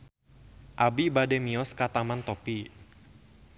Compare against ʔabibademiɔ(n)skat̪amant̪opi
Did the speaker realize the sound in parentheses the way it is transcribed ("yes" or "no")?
no